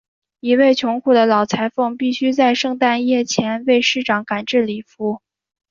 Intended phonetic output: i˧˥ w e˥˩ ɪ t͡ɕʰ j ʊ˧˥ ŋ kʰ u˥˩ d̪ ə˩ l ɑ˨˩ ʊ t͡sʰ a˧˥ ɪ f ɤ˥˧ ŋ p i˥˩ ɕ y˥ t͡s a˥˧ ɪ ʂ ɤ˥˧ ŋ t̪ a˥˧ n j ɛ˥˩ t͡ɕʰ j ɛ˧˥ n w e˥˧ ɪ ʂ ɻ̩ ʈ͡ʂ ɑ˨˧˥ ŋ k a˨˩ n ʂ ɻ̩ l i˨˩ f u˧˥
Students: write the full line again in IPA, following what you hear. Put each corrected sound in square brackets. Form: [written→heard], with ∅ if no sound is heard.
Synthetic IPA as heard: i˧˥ w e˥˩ ɪ t͡ɕʰ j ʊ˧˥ ŋ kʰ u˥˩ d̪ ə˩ l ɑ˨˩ ʊ t͡sʰ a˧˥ ɪ f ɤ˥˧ ŋ p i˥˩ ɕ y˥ t͡s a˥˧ ɪ ʂ ɤ˥˧ ŋ t̪ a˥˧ n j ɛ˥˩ t͡ɕʰ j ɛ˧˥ n w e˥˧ ɪ ʂ ɻ̩ ʈ͡ʂ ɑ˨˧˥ ŋ k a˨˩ n [ʂ→ʈ͡ʂ] ɻ̩ l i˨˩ f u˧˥